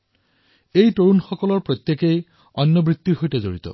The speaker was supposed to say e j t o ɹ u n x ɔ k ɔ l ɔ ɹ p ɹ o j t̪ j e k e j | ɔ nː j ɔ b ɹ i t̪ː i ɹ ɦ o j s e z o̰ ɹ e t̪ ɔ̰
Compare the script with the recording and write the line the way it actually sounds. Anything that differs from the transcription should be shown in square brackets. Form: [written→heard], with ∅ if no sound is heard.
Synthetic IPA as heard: e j t o ɹ u n x ɔ k ɔ l ɔ ɹ p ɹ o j t̪ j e k e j | ɔ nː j ɔ b ɹ i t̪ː i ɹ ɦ o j [s→t] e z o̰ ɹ [e→i] t̪ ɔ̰